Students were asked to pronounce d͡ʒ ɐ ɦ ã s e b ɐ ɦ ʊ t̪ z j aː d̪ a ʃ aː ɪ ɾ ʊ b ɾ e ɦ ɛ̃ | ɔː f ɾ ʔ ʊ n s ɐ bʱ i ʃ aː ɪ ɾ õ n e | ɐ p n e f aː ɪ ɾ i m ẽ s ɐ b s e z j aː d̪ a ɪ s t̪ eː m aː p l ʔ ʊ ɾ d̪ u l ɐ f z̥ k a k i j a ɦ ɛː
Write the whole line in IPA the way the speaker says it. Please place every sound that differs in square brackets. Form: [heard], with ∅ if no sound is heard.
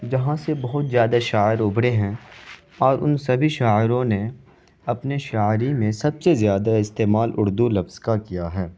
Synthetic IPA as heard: d͡ʒ ɐ ɦ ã s e b ɐ ɦ ʊ t̪ z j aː d̪ a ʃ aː ɪ ɾ ʊ b [ɽ] e ɦ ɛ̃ | ɔː [∅] ɾ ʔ ʊ n s ɐ bʱ i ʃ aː ɪ ɾ õ n e | ɐ p n e [ʃ] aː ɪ ɾ i m ẽ s ɐ b s e z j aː d̪ a ɪ s t̪ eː m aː [∅] l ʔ ʊ ɾ d̪ u l ɐ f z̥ k a k i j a ɦ ɛː